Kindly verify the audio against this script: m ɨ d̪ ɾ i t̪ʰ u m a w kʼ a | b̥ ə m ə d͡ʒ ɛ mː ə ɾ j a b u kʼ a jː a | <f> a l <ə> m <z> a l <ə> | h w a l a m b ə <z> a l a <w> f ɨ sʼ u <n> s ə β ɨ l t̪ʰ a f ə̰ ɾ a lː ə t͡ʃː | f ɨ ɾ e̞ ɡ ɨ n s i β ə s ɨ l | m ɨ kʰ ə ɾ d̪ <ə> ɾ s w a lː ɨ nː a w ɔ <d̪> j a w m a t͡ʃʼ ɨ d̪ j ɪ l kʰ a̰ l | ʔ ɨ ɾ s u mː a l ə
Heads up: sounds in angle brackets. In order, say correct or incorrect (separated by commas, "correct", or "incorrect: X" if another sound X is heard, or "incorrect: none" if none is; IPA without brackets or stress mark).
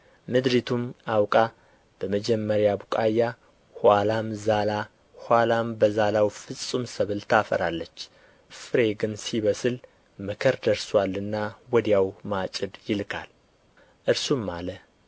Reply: incorrect: h, incorrect: a, correct, incorrect: a, correct, correct, incorrect: m, correct, correct